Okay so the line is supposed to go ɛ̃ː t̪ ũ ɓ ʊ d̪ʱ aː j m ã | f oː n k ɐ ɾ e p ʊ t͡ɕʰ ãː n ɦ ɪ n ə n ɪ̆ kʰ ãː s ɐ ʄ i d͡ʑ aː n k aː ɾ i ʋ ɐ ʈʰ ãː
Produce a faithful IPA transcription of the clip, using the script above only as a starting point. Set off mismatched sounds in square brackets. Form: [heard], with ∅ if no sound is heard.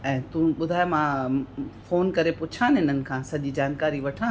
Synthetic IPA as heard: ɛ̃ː t̪ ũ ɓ ʊ d̪ʱ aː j m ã | f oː n k ɐ ɾ e p ʊ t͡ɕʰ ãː n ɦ ɪ n ə n ɪ̆ kʰ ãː s ɐ ʄ i d͡ʑ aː n k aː ɾ i ʋ ɐ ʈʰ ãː

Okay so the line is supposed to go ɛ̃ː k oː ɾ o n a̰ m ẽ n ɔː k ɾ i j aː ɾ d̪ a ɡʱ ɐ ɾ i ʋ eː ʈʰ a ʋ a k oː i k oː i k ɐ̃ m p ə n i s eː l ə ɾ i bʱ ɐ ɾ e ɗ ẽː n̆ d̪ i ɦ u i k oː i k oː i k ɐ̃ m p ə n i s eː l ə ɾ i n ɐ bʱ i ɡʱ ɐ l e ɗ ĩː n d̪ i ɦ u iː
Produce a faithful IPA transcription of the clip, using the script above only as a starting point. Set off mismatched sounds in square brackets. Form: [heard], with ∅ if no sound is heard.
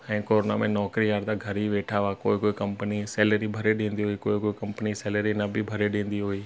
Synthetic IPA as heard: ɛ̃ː k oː ɾ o n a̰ m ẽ n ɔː k ɾ i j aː ɾ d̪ a ɡʱ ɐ ɾ i ʋ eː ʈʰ a ʋ a k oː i k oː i k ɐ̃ m p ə n i s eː l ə ɾ i bʱ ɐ ɾ e ɗ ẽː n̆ d̪ i ɦ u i k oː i k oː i k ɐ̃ m p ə n i s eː l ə ɾ i n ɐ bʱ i [bʱ] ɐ [ɾ] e ɗ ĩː n d̪ i ɦ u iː

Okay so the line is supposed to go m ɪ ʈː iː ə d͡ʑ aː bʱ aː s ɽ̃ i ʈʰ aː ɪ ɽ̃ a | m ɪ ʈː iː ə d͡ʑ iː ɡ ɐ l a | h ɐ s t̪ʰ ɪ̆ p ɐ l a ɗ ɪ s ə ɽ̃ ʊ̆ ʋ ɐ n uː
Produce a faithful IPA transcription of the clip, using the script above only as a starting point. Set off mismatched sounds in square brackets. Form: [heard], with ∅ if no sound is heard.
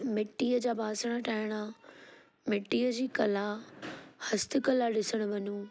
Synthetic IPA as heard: m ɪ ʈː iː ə d͡ʑ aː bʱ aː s ɽ̃ [a] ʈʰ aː ɪ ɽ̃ a | m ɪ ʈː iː ə d͡ʑ iː [k] ɐ l a | h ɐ s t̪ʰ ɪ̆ [k] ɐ l a ɗ ɪ s ə ɽ̃ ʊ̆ ʋ ɐ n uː

